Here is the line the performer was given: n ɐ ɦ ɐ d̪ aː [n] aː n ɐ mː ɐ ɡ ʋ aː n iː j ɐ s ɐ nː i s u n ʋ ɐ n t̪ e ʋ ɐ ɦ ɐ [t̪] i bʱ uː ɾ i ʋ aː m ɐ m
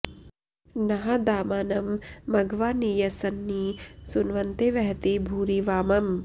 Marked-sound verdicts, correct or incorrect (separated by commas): incorrect, correct